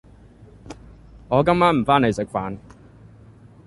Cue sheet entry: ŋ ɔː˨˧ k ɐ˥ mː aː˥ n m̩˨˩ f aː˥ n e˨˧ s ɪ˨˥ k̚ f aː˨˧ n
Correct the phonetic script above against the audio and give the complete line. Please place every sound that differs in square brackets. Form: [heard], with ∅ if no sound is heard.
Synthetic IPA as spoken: ŋ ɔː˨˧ k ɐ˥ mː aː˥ n m̩˨˩ f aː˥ n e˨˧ s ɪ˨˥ k̚ f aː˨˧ n